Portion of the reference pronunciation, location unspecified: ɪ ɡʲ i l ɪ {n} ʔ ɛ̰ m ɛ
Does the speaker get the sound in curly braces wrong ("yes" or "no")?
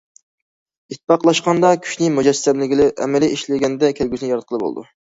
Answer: yes